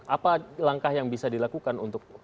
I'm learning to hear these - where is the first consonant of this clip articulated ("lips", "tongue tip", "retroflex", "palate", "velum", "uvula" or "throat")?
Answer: lips